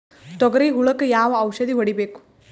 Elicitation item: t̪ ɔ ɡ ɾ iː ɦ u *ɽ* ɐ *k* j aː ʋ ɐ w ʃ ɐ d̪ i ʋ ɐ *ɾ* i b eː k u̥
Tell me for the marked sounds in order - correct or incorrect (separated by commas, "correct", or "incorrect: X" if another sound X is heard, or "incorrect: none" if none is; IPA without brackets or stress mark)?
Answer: incorrect: ɭ, correct, incorrect: ɽ